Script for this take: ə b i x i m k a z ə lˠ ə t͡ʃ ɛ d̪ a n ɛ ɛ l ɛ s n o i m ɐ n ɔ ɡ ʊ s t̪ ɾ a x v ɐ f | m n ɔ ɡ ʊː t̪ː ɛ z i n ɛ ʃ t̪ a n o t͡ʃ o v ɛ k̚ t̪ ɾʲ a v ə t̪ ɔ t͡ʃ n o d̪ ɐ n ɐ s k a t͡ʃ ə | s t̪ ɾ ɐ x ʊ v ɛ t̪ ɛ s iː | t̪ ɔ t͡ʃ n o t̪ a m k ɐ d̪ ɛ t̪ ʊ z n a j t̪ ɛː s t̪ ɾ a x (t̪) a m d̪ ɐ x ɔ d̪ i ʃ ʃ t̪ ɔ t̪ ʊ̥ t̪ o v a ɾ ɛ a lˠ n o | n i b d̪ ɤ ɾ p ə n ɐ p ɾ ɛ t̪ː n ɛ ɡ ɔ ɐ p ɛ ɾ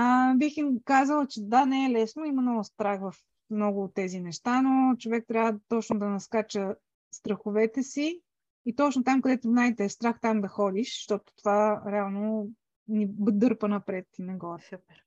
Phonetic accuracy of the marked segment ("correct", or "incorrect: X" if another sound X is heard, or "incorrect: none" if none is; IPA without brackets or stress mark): correct